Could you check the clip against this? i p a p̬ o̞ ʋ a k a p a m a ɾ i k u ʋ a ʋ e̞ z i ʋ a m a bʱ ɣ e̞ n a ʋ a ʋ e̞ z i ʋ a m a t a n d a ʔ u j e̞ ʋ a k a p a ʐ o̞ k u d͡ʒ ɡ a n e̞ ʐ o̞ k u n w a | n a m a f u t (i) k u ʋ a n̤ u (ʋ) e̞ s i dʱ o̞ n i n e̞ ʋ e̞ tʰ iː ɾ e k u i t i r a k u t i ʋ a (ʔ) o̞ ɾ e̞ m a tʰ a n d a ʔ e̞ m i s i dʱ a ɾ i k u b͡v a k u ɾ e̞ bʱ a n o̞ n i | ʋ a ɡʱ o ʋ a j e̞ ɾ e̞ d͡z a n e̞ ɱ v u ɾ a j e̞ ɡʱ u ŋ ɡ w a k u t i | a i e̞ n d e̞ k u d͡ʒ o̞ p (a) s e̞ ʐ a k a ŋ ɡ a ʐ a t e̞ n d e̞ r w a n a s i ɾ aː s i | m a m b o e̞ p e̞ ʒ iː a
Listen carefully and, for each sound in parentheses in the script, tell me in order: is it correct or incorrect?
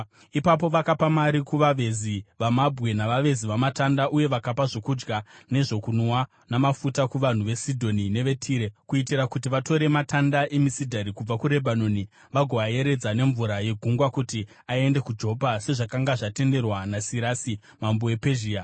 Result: incorrect, correct, incorrect, correct

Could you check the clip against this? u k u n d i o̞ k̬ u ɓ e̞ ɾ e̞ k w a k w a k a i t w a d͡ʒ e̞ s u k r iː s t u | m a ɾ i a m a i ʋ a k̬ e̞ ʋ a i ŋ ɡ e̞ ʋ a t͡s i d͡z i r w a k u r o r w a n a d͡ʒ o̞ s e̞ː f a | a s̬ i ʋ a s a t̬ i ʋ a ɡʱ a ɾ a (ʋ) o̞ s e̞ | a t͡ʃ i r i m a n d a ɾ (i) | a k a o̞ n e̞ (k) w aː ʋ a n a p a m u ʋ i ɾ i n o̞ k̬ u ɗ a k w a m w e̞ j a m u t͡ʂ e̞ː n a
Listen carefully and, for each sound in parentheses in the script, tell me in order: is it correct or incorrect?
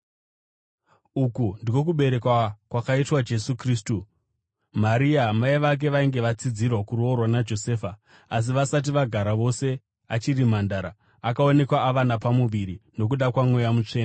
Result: correct, incorrect, correct

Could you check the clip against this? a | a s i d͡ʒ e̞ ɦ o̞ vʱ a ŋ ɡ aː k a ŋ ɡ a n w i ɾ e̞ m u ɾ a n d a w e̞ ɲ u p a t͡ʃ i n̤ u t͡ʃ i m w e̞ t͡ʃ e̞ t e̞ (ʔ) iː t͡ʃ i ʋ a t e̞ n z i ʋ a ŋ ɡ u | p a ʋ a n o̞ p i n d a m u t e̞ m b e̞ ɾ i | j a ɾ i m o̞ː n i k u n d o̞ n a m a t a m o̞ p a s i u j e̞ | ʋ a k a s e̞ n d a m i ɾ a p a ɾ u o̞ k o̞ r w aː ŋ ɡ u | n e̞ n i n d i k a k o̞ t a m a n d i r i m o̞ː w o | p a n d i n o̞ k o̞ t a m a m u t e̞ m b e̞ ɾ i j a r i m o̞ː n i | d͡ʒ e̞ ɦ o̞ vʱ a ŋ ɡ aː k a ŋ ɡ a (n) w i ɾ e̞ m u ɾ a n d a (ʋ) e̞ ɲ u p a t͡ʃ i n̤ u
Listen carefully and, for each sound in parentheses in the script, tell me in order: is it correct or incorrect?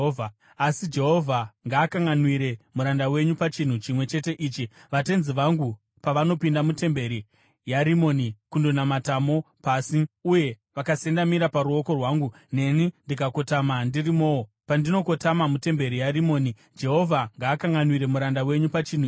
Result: correct, correct, incorrect

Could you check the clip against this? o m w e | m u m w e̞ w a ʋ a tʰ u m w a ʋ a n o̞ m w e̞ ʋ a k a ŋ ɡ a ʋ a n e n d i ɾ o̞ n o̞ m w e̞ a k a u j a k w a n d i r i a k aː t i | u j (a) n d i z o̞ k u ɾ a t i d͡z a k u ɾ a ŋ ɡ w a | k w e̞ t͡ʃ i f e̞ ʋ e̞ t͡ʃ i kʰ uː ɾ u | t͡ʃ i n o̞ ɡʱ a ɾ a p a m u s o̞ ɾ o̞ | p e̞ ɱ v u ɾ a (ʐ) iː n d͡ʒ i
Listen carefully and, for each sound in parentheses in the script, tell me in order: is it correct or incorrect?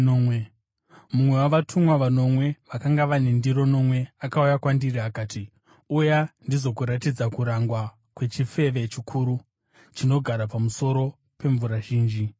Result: correct, incorrect

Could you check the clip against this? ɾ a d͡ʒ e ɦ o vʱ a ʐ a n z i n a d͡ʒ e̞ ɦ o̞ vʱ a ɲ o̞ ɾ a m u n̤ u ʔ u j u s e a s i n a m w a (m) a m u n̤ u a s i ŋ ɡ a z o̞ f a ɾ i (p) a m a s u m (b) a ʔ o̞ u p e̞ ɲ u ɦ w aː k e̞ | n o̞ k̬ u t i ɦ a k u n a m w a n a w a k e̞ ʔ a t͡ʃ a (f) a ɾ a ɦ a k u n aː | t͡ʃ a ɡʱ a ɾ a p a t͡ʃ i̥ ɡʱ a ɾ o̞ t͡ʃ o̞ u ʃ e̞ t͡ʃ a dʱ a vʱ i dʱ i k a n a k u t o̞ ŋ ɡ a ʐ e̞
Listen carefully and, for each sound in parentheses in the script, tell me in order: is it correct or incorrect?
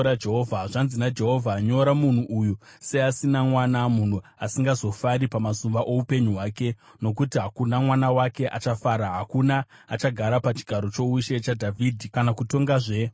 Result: incorrect, correct, correct, correct

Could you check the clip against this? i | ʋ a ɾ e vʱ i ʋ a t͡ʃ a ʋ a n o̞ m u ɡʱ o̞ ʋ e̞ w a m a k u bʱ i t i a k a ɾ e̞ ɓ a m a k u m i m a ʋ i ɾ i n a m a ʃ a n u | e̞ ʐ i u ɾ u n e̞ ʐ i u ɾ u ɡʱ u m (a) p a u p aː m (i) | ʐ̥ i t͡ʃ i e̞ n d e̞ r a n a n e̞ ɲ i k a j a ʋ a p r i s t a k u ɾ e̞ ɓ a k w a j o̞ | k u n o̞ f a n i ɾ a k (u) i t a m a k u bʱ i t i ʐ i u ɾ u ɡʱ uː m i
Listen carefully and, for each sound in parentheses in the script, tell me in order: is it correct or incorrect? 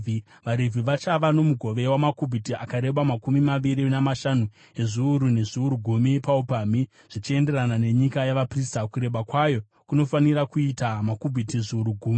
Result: incorrect, correct, correct

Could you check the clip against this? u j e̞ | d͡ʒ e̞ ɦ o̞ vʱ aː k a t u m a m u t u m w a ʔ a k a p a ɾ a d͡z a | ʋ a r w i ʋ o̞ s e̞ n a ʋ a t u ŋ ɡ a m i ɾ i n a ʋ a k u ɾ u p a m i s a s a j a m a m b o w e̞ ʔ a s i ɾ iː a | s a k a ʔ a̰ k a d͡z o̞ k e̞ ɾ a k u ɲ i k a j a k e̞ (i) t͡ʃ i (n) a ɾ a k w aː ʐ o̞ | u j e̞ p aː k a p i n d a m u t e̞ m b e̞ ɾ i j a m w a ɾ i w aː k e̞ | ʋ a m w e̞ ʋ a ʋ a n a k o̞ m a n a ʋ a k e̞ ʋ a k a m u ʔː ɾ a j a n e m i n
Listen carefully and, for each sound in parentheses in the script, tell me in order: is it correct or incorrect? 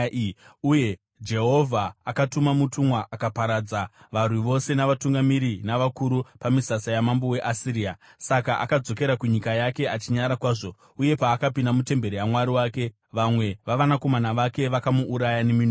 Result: incorrect, incorrect

